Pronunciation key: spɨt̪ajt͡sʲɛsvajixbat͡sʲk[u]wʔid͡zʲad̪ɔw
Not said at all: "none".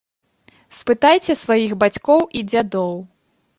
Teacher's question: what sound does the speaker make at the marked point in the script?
ɔ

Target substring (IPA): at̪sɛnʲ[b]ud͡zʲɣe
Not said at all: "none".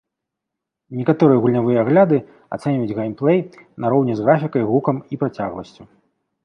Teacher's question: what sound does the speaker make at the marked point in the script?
v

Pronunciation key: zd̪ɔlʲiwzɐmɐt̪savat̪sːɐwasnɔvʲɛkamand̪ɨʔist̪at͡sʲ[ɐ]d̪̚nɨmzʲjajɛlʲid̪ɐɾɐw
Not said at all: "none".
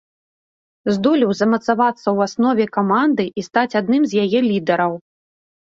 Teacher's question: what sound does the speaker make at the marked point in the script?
a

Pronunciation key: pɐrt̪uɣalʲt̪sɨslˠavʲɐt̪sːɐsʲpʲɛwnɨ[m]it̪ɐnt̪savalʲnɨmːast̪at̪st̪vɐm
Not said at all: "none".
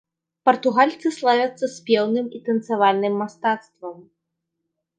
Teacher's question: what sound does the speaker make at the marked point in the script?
m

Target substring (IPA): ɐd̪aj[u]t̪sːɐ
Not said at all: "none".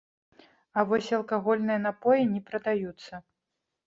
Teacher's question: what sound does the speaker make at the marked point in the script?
u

